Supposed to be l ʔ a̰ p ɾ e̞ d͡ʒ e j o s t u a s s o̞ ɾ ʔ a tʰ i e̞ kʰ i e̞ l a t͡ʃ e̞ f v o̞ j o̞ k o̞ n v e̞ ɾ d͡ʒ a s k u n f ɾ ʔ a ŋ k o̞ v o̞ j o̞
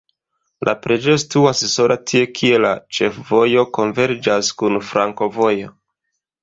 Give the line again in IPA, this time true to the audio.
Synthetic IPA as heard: l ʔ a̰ p ɾ e̞ d͡ʒ e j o s t u a s s o̞ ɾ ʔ a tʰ i e̞ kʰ i e̞ l a t͡ʃ e̞ f v o̞ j o̞ k o̞ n v e̞ ɾ d͡ʒ a s k u n f ɾ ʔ a ŋ k o̞ v o̞ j o̞